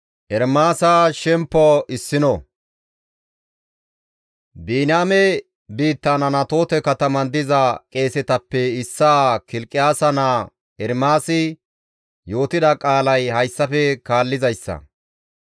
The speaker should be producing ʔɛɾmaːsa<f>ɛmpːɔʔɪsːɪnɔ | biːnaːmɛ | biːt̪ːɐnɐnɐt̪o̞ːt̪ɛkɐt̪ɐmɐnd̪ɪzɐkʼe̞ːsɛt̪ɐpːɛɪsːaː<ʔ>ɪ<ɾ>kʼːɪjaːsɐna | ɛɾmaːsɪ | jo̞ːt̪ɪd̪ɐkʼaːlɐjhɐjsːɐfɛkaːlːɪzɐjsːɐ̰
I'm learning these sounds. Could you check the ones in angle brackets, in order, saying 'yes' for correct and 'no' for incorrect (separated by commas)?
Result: no, no, no